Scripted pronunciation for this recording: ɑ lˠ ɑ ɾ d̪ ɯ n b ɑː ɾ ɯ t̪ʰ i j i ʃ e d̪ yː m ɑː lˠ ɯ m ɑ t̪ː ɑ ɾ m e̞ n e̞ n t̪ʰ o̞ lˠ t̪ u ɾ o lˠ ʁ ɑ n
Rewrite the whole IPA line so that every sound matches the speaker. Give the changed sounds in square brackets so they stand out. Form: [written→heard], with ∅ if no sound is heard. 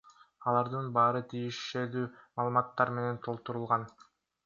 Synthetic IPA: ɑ lˠ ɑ ɾ d̪ ɯ n b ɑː ɾ ɯ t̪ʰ i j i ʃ e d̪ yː m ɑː lˠ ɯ m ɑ t̪ː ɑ ɾ m e̞ n e̞ n t̪ʰ o̞ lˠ t̪ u ɾ [o→u] lˠ ʁ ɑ n